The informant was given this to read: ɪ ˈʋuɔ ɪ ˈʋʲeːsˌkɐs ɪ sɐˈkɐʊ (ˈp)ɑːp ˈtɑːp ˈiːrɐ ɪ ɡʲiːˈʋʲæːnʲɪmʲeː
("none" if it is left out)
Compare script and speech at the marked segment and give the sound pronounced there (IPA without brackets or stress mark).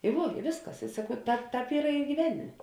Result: t